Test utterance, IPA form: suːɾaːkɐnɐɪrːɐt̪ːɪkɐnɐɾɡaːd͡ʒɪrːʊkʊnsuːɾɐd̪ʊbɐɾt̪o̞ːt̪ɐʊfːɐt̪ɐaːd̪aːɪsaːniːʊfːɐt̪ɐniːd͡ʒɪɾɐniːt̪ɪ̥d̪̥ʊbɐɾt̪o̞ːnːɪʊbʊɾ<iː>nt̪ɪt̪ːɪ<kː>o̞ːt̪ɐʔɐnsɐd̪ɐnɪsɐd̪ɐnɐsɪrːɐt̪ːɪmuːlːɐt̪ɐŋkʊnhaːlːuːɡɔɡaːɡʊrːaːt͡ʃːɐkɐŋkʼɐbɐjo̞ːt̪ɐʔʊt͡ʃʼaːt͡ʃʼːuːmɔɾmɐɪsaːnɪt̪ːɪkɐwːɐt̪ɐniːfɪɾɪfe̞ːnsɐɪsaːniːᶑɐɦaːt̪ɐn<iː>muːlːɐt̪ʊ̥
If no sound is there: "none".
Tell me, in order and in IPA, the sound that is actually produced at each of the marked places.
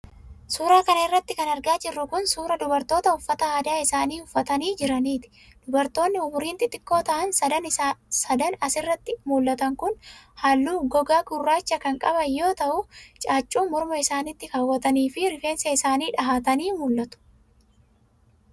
iː, kː, iː

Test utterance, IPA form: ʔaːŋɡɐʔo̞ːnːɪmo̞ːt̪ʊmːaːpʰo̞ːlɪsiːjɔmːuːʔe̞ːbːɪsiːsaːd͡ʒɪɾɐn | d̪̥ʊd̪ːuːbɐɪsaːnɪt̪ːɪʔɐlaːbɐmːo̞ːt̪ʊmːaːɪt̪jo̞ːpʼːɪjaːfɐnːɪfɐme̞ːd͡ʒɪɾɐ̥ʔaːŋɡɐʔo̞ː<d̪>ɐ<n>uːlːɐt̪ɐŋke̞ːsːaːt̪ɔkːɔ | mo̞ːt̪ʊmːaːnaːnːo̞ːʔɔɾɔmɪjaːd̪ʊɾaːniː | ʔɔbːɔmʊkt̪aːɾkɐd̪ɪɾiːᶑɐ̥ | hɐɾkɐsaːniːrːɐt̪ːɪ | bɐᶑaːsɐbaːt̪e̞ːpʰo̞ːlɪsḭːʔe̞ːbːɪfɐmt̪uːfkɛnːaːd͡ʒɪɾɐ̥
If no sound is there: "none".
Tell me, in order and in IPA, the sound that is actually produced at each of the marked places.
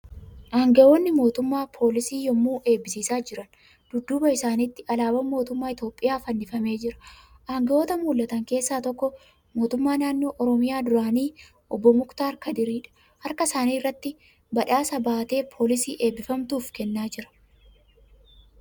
t̪, m

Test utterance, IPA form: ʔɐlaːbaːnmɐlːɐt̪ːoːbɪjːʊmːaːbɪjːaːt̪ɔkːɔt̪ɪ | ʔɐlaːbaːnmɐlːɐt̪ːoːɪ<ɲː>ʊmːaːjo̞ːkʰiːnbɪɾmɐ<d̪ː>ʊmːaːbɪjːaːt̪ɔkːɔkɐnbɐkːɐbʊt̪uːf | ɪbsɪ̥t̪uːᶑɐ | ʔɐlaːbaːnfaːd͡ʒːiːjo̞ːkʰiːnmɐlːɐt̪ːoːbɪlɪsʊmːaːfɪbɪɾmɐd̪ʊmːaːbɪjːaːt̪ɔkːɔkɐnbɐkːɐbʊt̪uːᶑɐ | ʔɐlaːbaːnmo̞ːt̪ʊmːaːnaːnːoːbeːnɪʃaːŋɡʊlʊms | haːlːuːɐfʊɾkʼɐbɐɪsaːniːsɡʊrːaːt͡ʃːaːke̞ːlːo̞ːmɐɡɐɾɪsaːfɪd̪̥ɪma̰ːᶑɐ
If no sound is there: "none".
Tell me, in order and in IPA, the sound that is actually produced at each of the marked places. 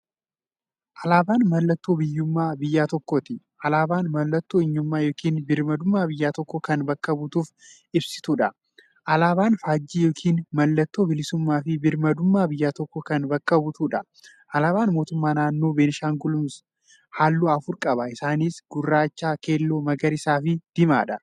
ɲː, d̪

